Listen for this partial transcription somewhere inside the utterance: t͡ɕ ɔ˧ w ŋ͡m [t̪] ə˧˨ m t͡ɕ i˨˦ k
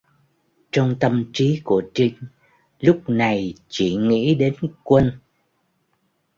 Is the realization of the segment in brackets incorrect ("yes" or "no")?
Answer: no